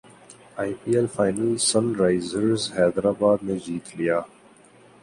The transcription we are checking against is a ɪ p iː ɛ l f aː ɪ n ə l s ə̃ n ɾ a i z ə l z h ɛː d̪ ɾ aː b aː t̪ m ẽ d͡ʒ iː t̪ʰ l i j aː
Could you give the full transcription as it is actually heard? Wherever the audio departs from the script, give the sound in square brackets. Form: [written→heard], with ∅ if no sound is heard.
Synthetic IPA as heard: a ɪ p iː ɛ l f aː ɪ n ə l s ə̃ n ɾ a [i→ɪ] z ə [l→ɾ] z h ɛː d̪ ɾ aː b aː [t̪→d̪] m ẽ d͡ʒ iː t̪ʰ l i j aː